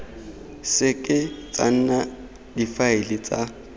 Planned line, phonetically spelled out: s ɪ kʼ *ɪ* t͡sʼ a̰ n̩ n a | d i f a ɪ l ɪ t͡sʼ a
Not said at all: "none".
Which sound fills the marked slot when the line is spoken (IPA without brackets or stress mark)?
ɪ